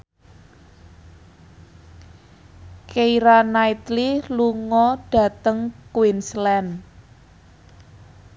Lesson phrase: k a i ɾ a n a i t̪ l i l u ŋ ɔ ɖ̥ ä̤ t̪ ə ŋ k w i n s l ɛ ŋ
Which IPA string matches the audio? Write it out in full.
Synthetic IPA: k e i ɾ a n a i t̪ l i l u ŋ ɔ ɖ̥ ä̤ t̪ ə ŋ k w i n s l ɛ n